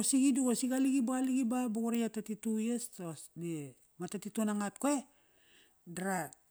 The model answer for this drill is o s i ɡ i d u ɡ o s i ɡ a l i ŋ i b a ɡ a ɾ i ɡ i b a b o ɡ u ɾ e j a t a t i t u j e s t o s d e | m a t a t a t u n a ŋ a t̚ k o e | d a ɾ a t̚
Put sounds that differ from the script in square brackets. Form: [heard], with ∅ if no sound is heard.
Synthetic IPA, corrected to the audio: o s i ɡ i d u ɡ o s i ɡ a l i [ɡ] i b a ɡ a [l] i ɡ i b a b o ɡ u ɾ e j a t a t i t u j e s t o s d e | m a t a t [i] t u n a ŋ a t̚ k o e | d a ɾ a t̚

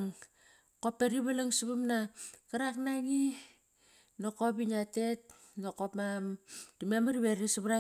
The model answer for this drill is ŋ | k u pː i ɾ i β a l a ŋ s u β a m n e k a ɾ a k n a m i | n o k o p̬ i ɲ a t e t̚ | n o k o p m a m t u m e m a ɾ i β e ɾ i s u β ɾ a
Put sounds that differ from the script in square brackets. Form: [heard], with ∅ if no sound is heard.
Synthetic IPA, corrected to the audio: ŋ | k [o] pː [e] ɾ i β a l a ŋ s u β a m n [a] k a ɾ a k n a [ŋ] i | n o k o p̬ i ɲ a t e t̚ | n o k o p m a m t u m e m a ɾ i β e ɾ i s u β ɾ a

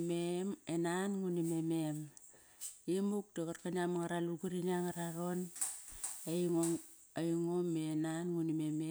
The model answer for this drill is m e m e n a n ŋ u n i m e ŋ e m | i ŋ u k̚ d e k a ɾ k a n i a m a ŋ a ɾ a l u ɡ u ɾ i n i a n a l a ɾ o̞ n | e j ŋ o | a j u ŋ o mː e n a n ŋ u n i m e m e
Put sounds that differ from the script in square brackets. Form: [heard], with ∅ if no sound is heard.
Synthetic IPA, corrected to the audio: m e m e n a n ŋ u n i m e [m] e m | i [m] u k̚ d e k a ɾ k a n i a m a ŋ a ɾ a l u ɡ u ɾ i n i a [ŋ] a [ɾ] a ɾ o̞ n | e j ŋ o | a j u ŋ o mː e n a n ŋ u n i m e m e

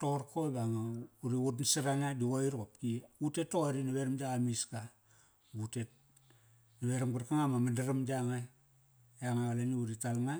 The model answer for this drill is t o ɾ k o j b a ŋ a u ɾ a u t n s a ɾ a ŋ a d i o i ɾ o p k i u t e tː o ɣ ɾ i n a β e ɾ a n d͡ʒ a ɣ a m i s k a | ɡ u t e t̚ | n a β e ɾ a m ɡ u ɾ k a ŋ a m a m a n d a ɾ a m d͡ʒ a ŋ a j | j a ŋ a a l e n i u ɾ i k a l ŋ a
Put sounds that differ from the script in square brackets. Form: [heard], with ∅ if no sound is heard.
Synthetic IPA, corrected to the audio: t o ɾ k o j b a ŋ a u ɾ [i] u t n s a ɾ a ŋ a d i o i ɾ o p k i u t e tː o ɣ ɾ i n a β e ɾ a [m] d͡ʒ a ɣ a m i s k a | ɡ u t e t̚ | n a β e ɾ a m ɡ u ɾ k a ŋ a m a m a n d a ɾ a m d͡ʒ a ŋ a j | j a ŋ a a l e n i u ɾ i [t] a l ŋ a

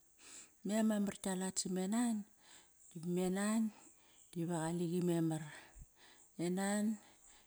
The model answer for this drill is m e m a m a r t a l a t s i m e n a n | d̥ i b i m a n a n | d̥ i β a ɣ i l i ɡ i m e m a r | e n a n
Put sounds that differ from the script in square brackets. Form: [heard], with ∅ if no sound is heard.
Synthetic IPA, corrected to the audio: m e m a m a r t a l a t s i m e n a n | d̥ i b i m [e] n a n | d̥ i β a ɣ [a] l i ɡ i m e m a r | e n a n

